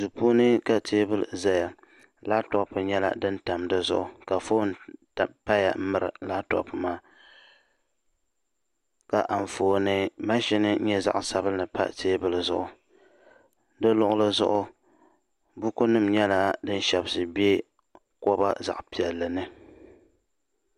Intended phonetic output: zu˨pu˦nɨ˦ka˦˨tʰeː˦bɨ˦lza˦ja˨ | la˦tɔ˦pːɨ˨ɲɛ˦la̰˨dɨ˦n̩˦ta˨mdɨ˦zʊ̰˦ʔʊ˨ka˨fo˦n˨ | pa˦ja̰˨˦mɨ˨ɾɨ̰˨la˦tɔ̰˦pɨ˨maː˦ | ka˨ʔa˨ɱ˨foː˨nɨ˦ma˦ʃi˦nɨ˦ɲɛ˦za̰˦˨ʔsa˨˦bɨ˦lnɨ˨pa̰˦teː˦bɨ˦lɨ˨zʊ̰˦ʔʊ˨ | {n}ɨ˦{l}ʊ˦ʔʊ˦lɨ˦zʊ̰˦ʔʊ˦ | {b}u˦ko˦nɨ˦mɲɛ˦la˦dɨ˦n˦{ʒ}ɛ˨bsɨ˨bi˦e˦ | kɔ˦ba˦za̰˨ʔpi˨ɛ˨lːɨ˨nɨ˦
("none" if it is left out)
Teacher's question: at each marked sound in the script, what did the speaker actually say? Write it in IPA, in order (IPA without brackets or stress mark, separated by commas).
d, l, b, ʃ